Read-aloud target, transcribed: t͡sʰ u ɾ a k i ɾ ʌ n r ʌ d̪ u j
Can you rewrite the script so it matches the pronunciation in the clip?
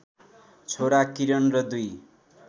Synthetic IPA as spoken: t͡sʰ o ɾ a k i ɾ ʌ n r ʌ d̪ u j